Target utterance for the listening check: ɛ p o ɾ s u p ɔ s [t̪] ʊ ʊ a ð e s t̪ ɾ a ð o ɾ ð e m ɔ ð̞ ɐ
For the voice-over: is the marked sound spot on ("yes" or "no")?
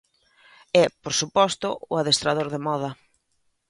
yes